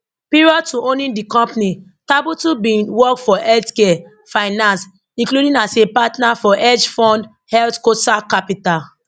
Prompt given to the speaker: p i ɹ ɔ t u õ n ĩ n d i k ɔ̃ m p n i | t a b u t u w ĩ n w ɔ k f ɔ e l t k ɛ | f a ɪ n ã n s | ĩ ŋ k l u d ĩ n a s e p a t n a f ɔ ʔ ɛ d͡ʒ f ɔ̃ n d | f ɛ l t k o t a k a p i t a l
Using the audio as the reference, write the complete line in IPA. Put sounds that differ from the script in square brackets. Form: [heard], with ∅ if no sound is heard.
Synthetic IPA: p i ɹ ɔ t u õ n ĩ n d i k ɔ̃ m p n i | t a b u t u [b] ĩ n w ɔ k f ɔ [ɛ] l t k ɛ | f a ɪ n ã n s | ĩ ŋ k l u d ĩ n a s e p a t n a f ɔ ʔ ɛ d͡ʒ f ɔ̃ n d | [h] ɛ l t k o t a k a p i t a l